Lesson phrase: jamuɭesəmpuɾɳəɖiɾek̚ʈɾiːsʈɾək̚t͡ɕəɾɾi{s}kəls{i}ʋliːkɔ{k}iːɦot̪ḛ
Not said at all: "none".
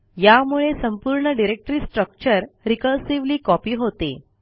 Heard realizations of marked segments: none, i, p

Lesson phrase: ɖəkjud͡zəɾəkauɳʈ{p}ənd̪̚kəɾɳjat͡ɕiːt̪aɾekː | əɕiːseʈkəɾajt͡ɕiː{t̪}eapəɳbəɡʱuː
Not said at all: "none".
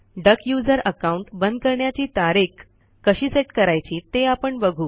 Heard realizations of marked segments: b, t̪

